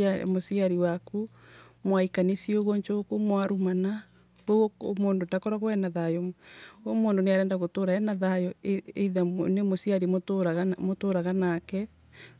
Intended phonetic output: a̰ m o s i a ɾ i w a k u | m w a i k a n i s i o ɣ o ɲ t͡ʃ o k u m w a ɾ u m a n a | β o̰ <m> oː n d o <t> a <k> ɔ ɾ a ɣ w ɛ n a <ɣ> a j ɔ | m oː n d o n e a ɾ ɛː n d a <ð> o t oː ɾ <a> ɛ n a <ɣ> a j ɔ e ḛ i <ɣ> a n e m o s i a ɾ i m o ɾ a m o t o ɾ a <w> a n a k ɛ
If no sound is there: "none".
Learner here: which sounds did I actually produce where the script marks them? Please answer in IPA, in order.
m, t, k, ð, ɣ, a, ð, ð, ɣ

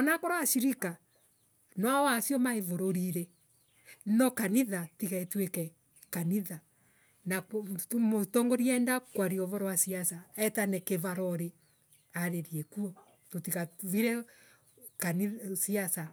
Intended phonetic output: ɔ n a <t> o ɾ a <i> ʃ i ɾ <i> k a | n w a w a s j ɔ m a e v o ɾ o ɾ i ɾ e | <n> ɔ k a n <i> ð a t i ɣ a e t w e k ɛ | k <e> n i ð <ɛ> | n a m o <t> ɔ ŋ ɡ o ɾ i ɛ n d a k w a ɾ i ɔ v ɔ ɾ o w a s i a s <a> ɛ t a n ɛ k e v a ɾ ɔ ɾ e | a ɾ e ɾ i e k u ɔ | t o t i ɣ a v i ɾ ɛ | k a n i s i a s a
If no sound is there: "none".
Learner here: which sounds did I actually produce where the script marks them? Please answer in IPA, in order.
k, a, i, n, i, a, a, t, a

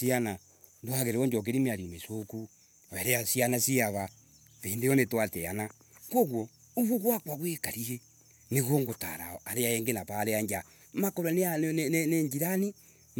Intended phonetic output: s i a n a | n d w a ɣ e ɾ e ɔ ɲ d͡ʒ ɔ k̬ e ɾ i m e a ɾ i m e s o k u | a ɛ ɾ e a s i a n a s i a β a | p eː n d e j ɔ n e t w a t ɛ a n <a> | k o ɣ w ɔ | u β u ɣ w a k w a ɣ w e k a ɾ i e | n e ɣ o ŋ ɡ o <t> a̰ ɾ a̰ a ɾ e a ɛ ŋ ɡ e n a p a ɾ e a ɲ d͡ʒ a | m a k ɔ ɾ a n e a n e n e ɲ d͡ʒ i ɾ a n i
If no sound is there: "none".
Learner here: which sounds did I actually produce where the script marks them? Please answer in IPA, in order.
a, t

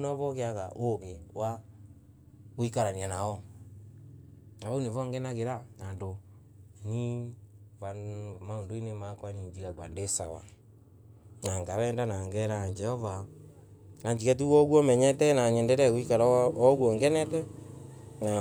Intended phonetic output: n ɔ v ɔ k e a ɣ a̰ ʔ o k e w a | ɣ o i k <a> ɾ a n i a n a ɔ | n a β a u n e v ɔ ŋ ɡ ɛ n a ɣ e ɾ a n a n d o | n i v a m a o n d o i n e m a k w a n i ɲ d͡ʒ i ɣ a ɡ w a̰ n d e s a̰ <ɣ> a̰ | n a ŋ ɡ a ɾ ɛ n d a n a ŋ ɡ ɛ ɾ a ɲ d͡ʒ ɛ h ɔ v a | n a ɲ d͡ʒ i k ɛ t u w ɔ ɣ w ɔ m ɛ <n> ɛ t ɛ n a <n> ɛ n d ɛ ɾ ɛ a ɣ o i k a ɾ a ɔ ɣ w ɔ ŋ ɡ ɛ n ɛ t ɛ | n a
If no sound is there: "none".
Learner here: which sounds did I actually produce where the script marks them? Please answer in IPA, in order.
a, w, ɲ, ɲ

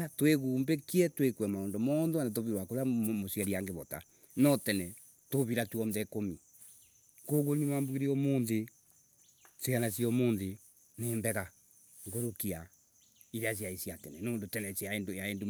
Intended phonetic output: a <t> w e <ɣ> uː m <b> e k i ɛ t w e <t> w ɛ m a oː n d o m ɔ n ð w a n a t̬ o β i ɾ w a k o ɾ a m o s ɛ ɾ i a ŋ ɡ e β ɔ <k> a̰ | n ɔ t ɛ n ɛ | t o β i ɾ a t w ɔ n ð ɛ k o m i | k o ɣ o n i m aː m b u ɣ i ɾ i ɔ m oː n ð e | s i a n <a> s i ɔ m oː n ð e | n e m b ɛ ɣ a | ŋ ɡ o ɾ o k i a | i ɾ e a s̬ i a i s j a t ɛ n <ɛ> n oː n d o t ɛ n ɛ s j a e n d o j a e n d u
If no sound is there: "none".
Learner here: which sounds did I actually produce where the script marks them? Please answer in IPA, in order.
t, ɣ, b, k, t, a, ɛ

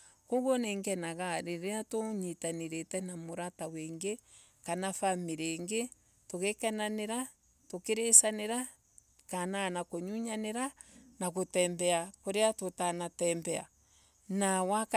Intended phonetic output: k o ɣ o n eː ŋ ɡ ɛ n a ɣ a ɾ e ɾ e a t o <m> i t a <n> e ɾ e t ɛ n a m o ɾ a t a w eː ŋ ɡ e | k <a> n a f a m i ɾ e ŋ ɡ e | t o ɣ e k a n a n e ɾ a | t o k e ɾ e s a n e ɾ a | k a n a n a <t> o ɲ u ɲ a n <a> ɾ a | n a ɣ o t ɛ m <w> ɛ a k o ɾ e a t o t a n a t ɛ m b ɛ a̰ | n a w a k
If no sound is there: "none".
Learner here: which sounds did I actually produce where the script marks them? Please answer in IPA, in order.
ɲ, n, a, k, e, b

